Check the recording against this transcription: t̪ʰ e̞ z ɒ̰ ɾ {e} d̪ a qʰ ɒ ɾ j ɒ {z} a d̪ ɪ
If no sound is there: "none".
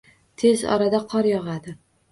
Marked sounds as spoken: a, ʁ

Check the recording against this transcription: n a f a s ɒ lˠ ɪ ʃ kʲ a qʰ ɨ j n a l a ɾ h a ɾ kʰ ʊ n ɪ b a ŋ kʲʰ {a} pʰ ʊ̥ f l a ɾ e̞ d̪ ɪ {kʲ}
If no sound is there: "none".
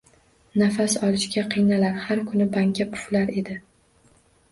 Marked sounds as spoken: a, none

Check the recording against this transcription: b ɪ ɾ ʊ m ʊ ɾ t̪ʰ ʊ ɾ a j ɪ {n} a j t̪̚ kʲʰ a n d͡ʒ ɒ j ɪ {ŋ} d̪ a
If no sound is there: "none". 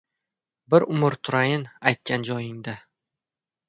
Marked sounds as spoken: n, ŋ

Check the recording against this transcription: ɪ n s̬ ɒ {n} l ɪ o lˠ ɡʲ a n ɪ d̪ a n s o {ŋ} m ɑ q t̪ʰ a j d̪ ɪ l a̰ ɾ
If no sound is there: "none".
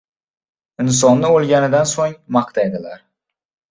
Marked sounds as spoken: n, ŋ

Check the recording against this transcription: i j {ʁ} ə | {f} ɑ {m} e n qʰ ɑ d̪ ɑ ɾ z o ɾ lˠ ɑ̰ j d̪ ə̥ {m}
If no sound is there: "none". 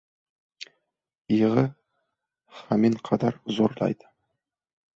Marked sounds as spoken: ʁ, χ, m, none

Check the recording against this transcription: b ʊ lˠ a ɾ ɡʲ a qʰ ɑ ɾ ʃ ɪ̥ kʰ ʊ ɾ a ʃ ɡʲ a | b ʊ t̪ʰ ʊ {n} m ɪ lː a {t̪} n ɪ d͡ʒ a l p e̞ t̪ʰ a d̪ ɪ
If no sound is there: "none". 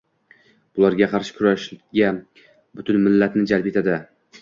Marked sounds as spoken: n, t̪

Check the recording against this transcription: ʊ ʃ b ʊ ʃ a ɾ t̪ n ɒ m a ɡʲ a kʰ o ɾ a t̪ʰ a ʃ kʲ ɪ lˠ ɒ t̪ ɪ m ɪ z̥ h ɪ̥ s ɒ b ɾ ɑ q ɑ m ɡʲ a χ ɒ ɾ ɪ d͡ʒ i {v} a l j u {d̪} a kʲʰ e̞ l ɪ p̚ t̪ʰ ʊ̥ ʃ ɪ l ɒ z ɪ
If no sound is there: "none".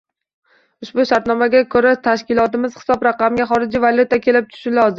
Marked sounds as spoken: v, t̪

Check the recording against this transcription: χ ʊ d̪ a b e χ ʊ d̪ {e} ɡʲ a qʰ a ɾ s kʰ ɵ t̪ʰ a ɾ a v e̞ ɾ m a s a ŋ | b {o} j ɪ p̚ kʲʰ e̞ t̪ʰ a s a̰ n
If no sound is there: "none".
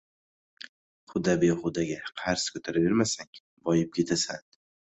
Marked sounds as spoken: a, ɒ

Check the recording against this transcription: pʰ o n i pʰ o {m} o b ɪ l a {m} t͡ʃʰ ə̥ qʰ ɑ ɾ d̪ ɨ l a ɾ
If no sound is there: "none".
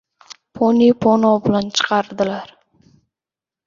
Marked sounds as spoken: n, n

